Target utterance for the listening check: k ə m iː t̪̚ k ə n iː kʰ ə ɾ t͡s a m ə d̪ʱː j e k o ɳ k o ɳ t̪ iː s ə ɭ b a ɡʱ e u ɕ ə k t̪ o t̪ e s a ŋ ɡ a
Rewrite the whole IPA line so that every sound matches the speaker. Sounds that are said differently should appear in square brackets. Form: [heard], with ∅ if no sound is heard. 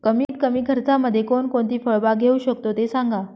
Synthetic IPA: k ə m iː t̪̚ k ə [m] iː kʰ ə ɾ t͡s a m ə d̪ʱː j e k o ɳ k o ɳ t̪ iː [f] ə ɭ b a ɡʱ e u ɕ ə k t̪ o t̪ e s a ŋ ɡ a